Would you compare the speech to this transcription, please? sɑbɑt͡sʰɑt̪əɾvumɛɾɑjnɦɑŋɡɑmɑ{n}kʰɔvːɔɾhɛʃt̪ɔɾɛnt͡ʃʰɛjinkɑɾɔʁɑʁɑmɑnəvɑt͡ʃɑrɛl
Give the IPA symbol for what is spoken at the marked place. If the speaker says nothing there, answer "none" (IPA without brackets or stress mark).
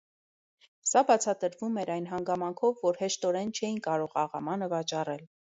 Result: ŋ